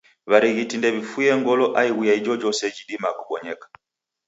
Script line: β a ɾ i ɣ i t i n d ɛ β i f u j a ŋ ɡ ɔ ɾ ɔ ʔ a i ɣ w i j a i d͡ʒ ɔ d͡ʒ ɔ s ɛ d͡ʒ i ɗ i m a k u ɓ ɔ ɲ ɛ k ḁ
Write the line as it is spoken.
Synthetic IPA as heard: β a ɾ i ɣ i t i n d ɛ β i f u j ɛ ŋ ɡ ɔ l ɔ ʔ a i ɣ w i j a i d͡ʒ ɔ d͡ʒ ɔ s ɛ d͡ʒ i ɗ i m a k u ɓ ɔ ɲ ɛ k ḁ

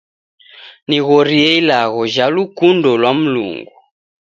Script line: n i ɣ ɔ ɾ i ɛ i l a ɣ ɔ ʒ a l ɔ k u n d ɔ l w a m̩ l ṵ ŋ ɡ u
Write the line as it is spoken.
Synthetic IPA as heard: n i ɣ ɔ ɾ i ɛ i l a ɣ ɔ ʒ a l u k u n d ɔ l w a m̩ l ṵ ŋ ɡ u

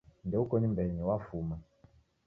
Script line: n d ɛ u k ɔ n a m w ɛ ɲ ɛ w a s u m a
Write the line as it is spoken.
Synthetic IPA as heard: n d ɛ u k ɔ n i m b ɛ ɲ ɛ w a f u m a

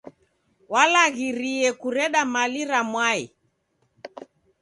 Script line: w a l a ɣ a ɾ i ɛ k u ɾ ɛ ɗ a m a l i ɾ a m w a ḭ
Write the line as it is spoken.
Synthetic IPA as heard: w a l a ɣ i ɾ i ɛ k u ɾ ɛ ɗ a m a l i ɾ a m w a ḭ

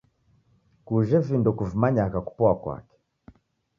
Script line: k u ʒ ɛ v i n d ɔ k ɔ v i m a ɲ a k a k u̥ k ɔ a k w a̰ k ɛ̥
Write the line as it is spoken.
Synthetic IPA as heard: k u ʒ ɛ v i n d ɔ k u v i m a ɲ a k a k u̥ p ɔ a k w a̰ k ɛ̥

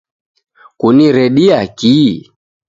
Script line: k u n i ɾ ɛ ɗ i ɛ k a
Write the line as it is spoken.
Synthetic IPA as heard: k u n i ɾ ɛ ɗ i a k i

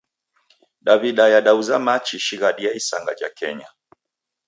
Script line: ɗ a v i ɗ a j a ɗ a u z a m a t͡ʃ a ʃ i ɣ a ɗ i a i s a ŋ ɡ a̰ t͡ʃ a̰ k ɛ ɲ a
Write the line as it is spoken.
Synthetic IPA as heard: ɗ a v i ɗ a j a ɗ a u z a m a t͡ʃ i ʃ i ɣ a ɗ i a i s a ŋ ɡ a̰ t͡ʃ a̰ k ɛ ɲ a

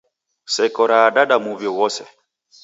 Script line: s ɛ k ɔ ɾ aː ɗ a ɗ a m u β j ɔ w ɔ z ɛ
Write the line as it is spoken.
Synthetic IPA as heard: s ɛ k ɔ ɾ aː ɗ a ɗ a m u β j ɔ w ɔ s ɛ

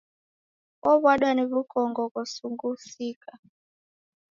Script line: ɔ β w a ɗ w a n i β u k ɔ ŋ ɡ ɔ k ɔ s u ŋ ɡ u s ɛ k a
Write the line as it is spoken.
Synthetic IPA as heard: ɔ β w a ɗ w a n i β u k ɔ ŋ ɡ ɔ k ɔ s u ŋ ɡ u s i k a

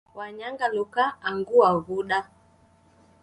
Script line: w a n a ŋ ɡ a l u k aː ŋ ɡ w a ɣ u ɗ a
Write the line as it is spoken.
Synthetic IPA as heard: w a ɲ a ŋ ɡ a l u k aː ŋ ɡ u a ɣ u ɗ a

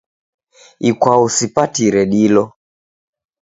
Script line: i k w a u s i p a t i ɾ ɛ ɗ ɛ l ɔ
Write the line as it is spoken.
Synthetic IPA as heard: i k w a u s i p a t i ɾ ɛ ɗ i l ɔ

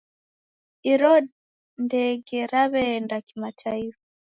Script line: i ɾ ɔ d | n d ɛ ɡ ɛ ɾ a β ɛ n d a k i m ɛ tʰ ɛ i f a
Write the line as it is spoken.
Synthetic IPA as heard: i ɾ ɔ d | n d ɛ ɡ ɛ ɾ a β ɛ n d a k i m a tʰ a i f a

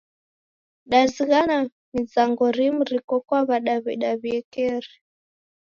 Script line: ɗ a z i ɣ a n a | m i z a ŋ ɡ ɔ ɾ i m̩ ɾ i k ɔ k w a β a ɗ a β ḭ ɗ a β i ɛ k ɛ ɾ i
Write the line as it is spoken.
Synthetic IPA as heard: ɗ a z i ɣ a n a | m i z a ŋ ɡ ɔ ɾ i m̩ ɾ i k ɔ k w a β a ɗ a β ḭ ɗ a β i ɛ k ɛ ɾ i

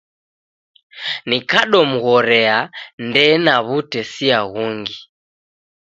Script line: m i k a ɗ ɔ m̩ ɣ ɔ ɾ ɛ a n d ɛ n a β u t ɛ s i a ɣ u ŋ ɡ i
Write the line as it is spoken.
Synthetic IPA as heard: n i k a ɗ ɔ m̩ ɣ ɔ ɾ ɛ a n d ɛ n a β u t ɛ s i a ɣ u ŋ ɡ i

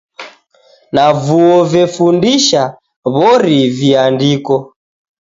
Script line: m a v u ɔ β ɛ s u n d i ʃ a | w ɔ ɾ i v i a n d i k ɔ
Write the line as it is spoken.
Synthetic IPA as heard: n a v u ɔ v ɛ f u n d i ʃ a | β ɔ ɾ i v i a n d i k ɔ

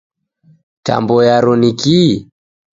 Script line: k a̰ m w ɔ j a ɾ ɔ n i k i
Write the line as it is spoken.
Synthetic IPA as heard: t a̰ m b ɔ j a ɾ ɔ n i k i

